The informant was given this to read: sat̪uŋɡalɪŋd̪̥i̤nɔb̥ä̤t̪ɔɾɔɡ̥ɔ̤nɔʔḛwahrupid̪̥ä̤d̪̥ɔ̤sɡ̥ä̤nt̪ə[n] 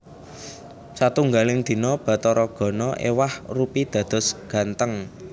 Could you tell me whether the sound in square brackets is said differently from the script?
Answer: yes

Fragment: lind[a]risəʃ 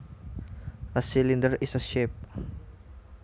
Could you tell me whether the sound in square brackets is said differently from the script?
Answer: yes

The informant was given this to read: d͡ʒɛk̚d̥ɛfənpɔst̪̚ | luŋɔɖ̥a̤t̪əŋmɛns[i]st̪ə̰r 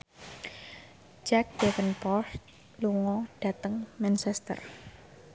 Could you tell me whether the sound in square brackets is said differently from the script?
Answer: yes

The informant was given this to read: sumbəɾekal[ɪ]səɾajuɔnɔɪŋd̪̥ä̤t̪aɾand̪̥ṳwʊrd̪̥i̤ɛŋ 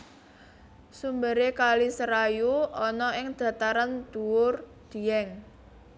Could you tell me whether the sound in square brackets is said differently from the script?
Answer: yes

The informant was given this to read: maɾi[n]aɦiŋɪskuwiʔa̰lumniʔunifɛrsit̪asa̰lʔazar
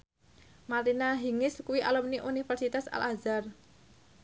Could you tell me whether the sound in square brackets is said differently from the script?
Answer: no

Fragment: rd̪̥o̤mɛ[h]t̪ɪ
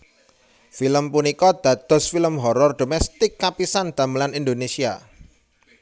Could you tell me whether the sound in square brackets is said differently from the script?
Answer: yes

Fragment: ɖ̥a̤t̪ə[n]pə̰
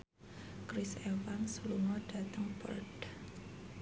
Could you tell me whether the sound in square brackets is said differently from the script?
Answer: yes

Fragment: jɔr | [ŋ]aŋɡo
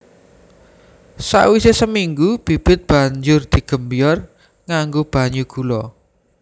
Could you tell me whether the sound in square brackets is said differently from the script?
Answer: no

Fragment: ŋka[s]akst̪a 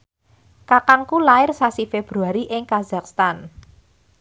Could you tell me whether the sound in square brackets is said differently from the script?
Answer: yes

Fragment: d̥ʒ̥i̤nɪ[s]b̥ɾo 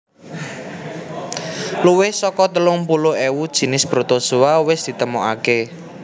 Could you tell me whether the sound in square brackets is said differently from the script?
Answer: no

